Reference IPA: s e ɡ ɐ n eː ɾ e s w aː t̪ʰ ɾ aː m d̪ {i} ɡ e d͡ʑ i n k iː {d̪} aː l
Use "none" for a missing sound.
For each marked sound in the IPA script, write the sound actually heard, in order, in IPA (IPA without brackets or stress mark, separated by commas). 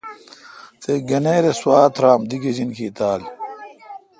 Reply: i, t̪